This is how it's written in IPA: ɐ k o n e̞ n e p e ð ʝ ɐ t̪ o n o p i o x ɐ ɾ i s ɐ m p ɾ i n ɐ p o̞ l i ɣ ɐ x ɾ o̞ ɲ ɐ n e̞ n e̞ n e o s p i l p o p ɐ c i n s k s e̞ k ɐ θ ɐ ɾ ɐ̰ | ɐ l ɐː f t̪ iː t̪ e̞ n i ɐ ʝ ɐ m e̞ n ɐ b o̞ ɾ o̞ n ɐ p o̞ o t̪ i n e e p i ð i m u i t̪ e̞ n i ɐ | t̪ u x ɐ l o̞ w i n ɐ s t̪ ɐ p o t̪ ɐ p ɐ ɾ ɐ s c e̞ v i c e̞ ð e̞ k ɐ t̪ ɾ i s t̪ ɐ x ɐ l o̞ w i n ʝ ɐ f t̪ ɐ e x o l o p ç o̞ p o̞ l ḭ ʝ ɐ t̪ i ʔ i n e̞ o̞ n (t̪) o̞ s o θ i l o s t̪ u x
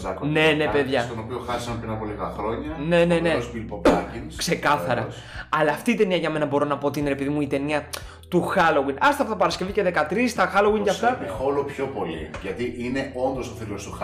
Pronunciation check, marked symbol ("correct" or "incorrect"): incorrect